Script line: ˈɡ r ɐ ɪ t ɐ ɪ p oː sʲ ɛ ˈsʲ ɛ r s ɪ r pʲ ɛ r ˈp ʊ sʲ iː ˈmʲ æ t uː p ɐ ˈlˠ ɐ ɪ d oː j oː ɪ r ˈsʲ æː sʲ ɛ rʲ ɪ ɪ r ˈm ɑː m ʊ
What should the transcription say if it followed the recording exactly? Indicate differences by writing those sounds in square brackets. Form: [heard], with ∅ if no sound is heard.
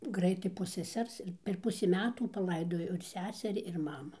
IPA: ˈɡ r ɐ ɪ t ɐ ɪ p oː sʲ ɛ ˈsʲ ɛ r s ɪ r pʲ ɛ r ˈp ʊ sʲ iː ˈmʲ [æː] t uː p ɐ ˈlˠ ɐ ɪ d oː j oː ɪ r ˈsʲ æː sʲ ɛ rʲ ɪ ɪ r ˈm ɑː m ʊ